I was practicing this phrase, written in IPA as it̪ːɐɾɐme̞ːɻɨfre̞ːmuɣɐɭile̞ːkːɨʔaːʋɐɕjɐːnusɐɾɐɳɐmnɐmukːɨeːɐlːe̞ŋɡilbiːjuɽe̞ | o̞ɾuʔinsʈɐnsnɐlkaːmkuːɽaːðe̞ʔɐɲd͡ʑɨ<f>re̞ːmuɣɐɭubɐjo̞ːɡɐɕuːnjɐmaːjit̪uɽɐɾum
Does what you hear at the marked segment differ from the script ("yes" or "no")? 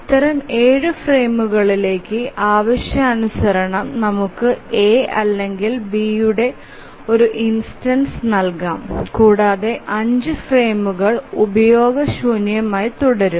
no